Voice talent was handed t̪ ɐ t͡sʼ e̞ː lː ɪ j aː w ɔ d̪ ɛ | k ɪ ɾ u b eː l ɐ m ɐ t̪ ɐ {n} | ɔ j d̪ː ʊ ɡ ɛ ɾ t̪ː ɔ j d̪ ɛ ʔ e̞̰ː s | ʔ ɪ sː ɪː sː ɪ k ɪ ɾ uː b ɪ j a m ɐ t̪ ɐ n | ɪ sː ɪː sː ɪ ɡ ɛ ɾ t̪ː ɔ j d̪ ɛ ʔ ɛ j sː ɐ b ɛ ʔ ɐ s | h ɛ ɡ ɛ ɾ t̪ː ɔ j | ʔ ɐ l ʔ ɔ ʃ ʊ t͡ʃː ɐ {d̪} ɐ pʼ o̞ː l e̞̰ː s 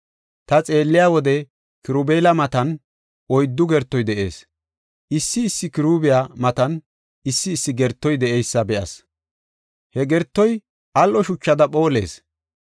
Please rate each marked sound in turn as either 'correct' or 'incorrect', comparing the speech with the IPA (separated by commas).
correct, correct